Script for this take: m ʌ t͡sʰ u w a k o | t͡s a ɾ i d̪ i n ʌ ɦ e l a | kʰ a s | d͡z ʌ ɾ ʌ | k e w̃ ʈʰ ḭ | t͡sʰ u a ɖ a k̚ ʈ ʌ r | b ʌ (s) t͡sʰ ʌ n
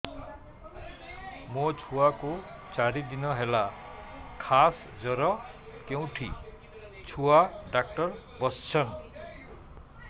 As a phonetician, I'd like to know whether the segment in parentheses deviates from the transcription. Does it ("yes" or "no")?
no